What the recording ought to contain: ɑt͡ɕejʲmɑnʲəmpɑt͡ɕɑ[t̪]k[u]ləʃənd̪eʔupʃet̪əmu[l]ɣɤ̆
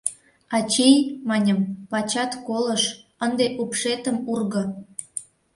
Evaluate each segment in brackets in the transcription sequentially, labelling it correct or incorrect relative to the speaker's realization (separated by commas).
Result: correct, incorrect, incorrect